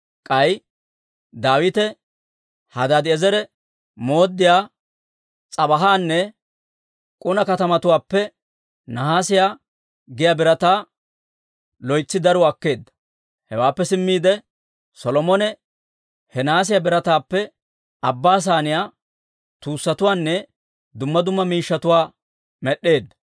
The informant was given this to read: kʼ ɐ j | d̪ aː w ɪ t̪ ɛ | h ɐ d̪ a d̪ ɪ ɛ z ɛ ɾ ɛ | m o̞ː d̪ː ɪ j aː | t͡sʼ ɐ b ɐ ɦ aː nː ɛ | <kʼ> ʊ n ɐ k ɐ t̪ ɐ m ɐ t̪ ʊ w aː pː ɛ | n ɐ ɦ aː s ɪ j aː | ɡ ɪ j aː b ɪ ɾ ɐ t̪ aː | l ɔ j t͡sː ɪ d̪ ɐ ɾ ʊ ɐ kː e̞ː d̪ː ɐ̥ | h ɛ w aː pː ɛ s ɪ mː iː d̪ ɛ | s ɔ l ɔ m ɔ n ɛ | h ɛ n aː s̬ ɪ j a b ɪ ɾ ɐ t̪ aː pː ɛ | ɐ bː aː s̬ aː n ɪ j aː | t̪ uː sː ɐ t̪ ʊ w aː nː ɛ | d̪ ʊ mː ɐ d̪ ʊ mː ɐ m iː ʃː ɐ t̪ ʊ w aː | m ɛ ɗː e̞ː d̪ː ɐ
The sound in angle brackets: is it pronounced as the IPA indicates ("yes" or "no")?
yes